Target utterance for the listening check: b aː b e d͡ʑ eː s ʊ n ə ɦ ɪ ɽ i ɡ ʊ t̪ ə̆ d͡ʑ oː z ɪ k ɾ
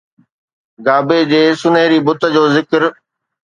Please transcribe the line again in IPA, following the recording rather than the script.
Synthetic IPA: ɡ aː b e d͡ʑ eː s ʊ n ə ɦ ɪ ɾ i b ʊ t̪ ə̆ d͡ʑ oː z ɪ k ɾ